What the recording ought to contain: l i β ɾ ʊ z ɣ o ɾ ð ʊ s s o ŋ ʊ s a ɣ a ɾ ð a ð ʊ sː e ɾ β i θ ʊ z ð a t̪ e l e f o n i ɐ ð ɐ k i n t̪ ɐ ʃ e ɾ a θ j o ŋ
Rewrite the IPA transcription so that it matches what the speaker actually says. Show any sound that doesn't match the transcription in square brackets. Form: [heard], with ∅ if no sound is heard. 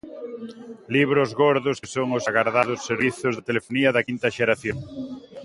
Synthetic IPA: l i β ɾ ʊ z ɣ o ɾ ð ʊ s s o ŋ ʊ s a ɣ a ɾ ð a ð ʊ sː e ɾ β i θ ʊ z ð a t̪ e l e f o n i ɐ ð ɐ k i n t̪ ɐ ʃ e ɾ a θ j o ŋ